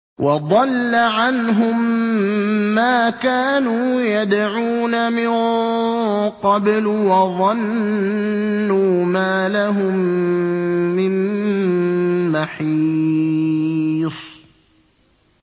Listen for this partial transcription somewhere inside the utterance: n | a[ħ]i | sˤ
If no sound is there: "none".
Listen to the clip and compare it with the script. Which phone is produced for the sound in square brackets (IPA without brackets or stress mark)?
ħ